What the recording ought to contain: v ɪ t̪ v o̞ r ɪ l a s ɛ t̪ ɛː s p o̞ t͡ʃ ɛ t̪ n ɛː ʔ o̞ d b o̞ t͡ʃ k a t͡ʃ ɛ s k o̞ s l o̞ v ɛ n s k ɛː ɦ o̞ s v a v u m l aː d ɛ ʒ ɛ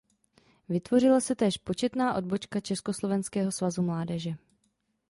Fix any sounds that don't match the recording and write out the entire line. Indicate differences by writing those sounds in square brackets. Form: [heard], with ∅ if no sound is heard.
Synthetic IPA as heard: v ɪ t̪ v o̞ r ɪ l a s ɛ t̪ ɛː [ʃ] p o̞ t͡ʃ ɛ t̪ n [aː] ʔ o̞ d b o̞ t͡ʃ k a t͡ʃ ɛ s k o̞ s l o̞ v ɛ n s k ɛː ɦ o̞ s v a [z] u m l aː d ɛ ʒ ɛ

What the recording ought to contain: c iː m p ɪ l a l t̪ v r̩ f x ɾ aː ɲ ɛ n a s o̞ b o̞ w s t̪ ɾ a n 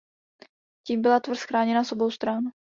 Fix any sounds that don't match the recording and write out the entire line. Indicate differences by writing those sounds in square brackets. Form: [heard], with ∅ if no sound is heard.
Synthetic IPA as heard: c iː m [b] ɪ l a [∅] t̪ v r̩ [s] x ɾ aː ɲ ɛ n a s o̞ b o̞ w s t̪ ɾ a n

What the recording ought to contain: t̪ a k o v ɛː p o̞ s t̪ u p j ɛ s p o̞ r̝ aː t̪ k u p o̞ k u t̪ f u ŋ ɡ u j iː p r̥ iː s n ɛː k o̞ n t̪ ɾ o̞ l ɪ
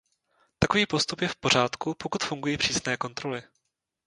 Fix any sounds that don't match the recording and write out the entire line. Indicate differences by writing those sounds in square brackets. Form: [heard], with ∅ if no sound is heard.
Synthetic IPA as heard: t̪ a k o v [iː] p o̞ s t̪ u p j ɛ [f] p o̞ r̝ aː t̪ k u p o̞ k u t̪ f u ŋ ɡ u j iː p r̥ iː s n ɛː k o̞ n t̪ ɾ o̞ l ɪ

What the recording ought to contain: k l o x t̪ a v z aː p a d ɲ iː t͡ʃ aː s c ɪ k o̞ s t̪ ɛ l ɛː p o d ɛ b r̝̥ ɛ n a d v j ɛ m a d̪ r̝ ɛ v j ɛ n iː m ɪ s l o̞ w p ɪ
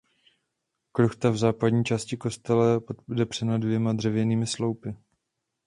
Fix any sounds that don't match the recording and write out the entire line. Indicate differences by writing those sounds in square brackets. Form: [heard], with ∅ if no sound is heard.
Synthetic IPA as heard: k [ɾ] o x t̪ a v z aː p a d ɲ iː t͡ʃ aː s c ɪ k o̞ s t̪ ɛ l [ɛ] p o d ɛ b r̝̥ ɛ n a d v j ɛ m a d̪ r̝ ɛ v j ɛ n iː m ɪ s l o̞ w p ɪ

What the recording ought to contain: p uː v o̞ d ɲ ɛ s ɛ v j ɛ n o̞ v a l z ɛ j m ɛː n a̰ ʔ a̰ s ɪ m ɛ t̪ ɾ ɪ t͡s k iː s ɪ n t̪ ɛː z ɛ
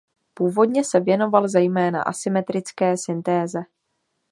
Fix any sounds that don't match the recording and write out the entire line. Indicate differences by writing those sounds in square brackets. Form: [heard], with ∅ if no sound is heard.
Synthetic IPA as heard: p uː v o̞ d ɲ ɛ s ɛ v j ɛ n o̞ v a l z ɛ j m ɛː n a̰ ʔ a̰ s ɪ m ɛ t̪ ɾ ɪ t͡s k [ɛː] s ɪ n t̪ ɛː z ɛ

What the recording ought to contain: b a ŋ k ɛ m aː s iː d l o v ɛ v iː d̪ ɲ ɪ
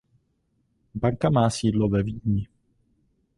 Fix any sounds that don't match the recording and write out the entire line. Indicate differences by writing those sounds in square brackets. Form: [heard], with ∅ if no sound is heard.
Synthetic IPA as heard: b a ŋ k [a] m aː s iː d l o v ɛ v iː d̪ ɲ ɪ

